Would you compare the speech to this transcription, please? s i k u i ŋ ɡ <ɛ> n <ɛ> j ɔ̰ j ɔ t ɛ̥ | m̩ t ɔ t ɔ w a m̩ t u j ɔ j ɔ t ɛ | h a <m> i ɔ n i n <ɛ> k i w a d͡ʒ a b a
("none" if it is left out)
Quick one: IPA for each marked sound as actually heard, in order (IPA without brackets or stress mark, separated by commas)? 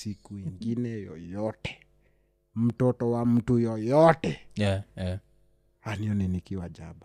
i, ɛ, n, i